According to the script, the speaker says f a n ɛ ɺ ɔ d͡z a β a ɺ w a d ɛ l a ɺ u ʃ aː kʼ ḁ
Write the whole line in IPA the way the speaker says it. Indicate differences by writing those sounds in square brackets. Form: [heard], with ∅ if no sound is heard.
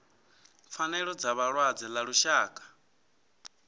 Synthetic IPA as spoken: f a n ɛ ɺ ɔ d͡z a β a ɺ w a [d͡z] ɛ l a ɺ u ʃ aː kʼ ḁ